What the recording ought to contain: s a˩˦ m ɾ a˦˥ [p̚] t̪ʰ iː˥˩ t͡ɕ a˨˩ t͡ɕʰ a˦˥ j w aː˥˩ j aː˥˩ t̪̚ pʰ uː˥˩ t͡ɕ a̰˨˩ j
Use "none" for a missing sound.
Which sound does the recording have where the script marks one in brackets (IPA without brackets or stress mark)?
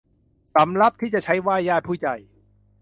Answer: p̚